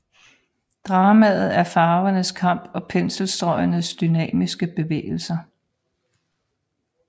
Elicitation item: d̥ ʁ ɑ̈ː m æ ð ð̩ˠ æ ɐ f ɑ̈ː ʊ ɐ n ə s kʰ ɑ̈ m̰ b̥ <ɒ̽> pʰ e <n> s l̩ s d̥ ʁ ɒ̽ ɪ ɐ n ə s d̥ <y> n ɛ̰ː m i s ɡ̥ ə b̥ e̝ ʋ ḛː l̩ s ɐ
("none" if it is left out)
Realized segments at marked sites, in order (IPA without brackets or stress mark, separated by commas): ɒ̽, n, y